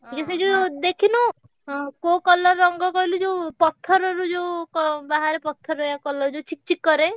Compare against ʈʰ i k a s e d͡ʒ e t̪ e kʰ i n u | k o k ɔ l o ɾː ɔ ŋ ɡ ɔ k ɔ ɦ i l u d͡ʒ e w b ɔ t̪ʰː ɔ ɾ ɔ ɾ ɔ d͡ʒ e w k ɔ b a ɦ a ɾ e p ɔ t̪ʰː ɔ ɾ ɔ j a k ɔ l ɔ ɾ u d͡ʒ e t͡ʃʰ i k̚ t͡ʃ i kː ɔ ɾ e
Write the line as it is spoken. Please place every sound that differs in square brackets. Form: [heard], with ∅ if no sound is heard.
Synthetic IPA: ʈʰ i k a s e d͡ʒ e [d̪] e kʰ i n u | k o k ɔ l [ɔ] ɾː ɔ ŋ ɡ ɔ k ɔ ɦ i l u d͡ʒ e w [p] ɔ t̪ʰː ɔ ɾ ɔ ɾ [u] d͡ʒ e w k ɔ b a ɦ a ɾ e p ɔ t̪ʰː ɔ ɾ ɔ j a k ɔ l ɔ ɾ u d͡ʒ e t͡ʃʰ i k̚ t͡ʃ i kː ɔ ɾ e